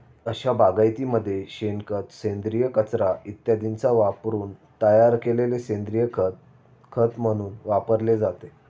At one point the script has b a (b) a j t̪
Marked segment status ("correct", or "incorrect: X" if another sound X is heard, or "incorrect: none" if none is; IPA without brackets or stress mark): incorrect: ɡ